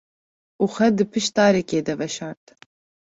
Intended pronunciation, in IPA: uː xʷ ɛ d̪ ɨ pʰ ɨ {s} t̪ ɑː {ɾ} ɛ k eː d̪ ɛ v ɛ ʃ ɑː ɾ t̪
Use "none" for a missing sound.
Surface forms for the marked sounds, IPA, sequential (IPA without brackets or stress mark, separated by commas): ʃ, ɾ